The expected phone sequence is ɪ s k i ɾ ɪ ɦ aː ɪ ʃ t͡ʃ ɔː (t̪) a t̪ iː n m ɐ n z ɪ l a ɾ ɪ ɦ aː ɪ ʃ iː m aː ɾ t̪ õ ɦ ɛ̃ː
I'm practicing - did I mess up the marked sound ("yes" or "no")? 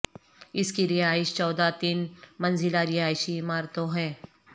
yes